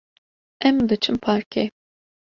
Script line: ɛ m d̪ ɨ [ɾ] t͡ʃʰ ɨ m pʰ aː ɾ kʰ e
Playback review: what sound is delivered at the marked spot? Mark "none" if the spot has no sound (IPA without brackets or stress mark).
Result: none